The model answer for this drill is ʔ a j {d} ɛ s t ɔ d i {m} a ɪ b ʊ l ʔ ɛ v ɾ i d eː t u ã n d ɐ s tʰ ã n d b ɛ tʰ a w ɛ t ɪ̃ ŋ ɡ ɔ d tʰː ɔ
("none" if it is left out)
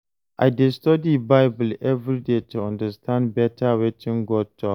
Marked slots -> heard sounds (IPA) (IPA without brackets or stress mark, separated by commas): d, b